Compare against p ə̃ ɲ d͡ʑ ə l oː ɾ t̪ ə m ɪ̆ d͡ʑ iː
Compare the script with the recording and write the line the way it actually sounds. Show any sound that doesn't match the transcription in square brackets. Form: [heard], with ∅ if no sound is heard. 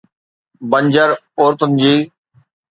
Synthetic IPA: [b] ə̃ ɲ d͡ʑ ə [ɾ] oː ɾ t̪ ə [n] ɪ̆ d͡ʑ iː